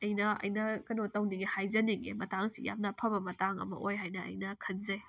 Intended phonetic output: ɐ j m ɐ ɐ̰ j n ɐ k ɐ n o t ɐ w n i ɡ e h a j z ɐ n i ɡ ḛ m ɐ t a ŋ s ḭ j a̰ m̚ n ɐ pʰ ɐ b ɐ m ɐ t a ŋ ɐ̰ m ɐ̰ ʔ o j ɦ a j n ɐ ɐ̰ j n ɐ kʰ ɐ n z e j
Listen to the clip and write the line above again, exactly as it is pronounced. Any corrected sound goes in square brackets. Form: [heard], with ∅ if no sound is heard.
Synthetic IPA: ɐ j [n] ɐ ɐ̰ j n ɐ k ɐ n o t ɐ w n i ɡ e h a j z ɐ n i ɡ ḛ m ɐ t a ŋ s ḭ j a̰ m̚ n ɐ pʰ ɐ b ɐ m ɐ t a ŋ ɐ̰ m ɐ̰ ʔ o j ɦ a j n ɐ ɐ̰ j n ɐ kʰ ɐ n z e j

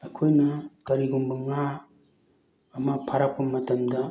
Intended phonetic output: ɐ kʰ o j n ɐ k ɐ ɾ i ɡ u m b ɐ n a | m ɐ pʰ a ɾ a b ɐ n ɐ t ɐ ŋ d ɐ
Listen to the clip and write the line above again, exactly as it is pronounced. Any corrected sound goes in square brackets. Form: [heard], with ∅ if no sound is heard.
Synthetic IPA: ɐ kʰ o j n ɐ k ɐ ɾ i ɡ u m b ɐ [ŋ] a | m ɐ pʰ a ɾ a [p] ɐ [m] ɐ t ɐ [m] d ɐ

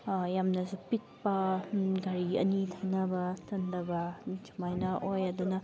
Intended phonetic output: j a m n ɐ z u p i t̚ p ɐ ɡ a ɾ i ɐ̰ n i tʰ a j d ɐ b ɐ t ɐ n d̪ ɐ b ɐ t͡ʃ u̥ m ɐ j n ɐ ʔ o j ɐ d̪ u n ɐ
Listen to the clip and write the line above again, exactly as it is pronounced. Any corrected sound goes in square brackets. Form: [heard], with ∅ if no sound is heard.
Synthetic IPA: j a m n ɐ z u p i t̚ p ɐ ɡ a ɾ i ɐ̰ n i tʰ a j [n] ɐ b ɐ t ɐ n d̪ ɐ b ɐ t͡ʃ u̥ m [a] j n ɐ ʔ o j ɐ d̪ u n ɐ

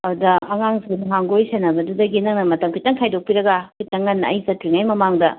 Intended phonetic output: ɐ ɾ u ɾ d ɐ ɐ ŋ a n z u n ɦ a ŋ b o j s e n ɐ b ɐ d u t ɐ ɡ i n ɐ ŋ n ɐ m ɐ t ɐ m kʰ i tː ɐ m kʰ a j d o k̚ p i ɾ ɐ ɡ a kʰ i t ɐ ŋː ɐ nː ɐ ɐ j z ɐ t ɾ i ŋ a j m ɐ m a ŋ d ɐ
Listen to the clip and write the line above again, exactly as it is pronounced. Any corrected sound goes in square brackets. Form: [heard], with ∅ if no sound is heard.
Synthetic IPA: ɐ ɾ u [∅] d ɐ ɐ ŋ a [ŋ] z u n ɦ a ŋ [ɡ] o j s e n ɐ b ɐ d u [d] ɐ ɡ i n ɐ ŋ n ɐ m ɐ t ɐ m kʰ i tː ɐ [ŋ] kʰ a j d o k̚ p i ɾ ɐ ɡ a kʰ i t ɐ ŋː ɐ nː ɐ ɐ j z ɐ t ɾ i ŋ a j m ɐ m a ŋ d ɐ

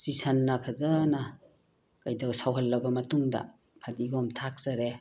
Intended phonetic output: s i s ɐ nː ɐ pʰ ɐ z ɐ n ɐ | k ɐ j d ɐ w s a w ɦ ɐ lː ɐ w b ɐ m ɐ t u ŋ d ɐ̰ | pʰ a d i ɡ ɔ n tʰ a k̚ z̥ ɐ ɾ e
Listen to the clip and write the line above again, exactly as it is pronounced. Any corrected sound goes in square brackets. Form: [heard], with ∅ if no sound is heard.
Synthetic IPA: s i s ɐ nː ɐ pʰ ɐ z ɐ n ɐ | k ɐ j d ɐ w s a w ɦ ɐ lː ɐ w b ɐ m ɐ t u ŋ d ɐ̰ | pʰ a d i ɡ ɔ [m] tʰ a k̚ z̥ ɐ ɾ e

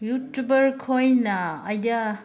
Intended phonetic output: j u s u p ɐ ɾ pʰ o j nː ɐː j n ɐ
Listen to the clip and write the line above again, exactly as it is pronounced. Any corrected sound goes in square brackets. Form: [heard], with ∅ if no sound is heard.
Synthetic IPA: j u [t] u [b] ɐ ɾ [kʰ] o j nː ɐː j [d] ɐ

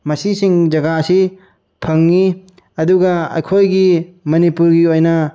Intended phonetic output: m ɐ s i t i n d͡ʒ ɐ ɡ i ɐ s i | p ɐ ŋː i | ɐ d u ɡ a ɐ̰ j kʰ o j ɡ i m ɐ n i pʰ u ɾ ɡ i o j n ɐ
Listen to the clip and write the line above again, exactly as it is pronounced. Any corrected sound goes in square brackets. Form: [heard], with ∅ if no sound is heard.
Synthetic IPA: m ɐ s i [s] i [ŋ] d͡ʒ ɐ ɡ [a] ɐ s i | [pʰ] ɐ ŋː i | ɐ d u ɡ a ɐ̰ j kʰ o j ɡ i m ɐ n i [p] u ɾ ɡ i o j n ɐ

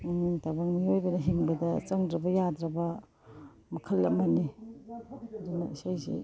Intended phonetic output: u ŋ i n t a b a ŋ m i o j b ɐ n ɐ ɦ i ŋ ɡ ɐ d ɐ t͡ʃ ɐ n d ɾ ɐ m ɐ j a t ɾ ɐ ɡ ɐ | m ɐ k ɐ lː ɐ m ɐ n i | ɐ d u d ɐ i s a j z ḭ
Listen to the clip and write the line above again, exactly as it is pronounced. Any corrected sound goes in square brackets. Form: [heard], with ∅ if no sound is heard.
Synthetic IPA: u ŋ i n t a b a ŋ m i o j b ɐ n ɐ ɦ i ŋ [b] ɐ d ɐ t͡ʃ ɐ [ŋ] d ɾ ɐ [b] ɐ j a [d] ɾ ɐ [b] ɐ | m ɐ [kʰ] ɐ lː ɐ m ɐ n i | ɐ d u [n] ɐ i s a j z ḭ

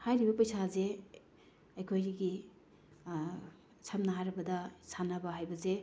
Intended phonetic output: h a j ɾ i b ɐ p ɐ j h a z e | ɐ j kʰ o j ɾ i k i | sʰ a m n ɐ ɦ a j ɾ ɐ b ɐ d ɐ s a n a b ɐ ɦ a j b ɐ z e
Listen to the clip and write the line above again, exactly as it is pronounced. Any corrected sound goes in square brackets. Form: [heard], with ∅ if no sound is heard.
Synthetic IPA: h a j ɾ i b ɐ p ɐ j [s] a z e | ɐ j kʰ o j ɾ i [ɡ] i | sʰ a m n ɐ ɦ a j ɾ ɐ b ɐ d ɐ s a n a b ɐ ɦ a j b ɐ z e

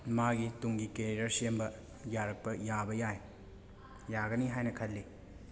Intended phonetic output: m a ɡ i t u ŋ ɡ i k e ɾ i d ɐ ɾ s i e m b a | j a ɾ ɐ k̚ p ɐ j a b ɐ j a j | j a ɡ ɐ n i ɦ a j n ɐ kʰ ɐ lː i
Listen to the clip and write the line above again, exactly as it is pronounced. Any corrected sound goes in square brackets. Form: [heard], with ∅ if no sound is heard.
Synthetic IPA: m a ɡ i t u ŋ ɡ i k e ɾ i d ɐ ɾ s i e m b [ɐ] | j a ɾ ɐ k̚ p ɐ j a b ɐ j a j | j a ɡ ɐ n i ɦ a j n ɐ kʰ ɐ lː i

